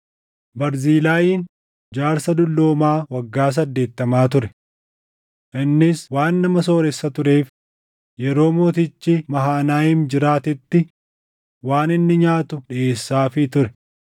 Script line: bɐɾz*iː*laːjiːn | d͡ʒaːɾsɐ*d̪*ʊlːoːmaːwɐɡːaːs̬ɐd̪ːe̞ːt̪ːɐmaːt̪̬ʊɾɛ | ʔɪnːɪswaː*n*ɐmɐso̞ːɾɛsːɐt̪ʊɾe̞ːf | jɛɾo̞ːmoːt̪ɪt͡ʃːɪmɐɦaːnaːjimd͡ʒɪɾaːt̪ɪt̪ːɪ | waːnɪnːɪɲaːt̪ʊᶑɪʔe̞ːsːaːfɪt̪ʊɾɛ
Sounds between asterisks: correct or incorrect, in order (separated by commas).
correct, correct, incorrect